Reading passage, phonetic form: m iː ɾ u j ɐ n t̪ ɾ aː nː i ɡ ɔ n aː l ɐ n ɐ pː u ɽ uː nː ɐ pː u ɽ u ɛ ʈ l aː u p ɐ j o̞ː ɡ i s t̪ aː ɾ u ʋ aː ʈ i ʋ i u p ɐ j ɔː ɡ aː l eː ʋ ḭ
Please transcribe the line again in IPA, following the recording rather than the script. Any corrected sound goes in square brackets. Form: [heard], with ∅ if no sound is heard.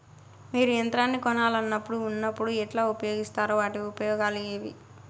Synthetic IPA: m iː ɾ u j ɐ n t̪ ɾ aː nː i [k] ɔ n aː l ɐ [nː] ɐ pː u ɽ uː nː ɐ pː u ɽ u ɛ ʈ l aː u p ɐ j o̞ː ɡ i s t̪ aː ɾ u ʋ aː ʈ i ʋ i u p ɐ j ɔː ɡ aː l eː ʋ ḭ